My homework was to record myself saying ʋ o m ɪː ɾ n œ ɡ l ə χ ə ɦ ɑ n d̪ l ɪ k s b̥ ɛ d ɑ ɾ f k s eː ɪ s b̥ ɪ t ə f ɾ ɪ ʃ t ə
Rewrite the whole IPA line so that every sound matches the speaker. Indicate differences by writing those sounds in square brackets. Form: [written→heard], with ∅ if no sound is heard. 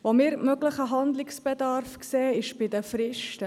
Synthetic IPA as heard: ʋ o m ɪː ɾ [n→m] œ ɡ l ə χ ə ɦ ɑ n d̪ l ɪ k s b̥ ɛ d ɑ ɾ f k s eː ɪ [s→ʃ] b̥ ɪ [t→d] ə f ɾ ɪ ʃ t ə